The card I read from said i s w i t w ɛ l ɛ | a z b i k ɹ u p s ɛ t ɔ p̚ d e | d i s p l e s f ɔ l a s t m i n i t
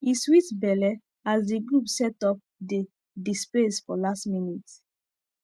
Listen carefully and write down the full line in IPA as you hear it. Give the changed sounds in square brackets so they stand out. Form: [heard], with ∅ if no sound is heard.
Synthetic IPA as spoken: i s w i t [b] ɛ l ɛ | a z [d] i [ɡ] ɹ u p s ɛ t ɔ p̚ d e | d i s p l e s f ɔ l a s t m i n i t